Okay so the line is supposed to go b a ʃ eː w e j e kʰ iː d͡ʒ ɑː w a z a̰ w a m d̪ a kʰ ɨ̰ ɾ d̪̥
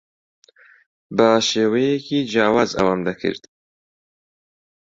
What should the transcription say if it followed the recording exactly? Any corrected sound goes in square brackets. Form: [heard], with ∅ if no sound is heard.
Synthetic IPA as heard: b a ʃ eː w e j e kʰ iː d͡ʒ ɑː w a z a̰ w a m d̪ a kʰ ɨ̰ ɾ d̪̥